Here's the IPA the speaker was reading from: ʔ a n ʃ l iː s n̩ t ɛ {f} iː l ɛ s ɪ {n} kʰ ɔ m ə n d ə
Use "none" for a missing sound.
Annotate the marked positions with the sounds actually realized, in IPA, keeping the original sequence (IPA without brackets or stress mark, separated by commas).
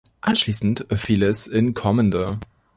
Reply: f, n